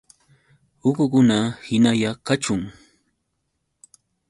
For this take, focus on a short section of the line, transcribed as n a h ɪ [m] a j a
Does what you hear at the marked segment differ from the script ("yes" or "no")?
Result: yes